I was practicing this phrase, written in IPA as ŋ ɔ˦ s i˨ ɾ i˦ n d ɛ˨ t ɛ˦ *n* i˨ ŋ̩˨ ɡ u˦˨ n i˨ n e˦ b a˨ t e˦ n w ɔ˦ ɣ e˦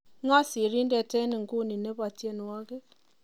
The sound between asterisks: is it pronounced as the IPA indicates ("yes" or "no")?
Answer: yes